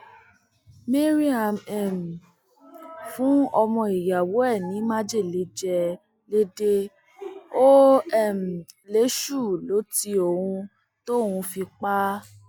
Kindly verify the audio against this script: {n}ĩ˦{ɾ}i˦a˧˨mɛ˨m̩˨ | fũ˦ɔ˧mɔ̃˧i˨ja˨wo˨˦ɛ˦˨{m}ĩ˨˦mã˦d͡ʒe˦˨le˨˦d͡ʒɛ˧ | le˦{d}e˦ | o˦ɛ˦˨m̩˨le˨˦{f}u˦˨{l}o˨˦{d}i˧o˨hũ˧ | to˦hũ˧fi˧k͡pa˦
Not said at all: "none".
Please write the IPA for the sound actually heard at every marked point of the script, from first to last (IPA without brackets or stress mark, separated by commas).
m, ɾ, n, d, ʃ, l, t